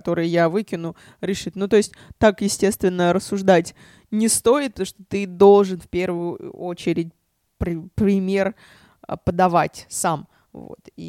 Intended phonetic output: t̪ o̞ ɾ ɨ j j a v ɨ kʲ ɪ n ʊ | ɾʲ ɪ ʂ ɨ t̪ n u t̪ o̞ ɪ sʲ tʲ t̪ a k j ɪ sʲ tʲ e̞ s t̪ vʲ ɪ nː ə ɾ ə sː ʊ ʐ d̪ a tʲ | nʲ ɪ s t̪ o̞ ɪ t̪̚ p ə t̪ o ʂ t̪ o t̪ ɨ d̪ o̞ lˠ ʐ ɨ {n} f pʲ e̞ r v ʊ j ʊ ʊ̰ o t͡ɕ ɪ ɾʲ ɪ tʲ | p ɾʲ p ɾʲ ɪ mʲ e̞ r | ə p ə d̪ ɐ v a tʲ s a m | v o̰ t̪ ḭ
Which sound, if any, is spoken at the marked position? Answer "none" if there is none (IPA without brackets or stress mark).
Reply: n